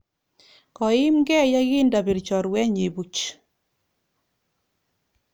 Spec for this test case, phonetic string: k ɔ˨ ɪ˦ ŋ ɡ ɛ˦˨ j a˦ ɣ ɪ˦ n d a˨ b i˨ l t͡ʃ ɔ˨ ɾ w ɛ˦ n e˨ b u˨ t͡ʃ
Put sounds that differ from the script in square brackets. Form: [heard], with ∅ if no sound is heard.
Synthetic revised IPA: k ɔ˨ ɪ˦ [m] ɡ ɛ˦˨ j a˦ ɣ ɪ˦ n d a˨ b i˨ [ɾ] t͡ʃ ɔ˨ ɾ w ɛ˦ [ɲ] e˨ b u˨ t͡ʃ